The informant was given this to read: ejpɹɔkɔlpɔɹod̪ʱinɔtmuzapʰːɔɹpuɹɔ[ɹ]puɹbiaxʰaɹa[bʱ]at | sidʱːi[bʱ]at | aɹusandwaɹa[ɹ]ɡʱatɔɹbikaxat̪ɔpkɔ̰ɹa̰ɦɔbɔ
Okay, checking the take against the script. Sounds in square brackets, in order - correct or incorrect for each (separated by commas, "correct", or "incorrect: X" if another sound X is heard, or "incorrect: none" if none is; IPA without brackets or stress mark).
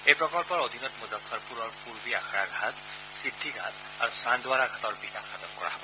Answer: correct, incorrect: ɡʱ, incorrect: ɡʱ, incorrect: none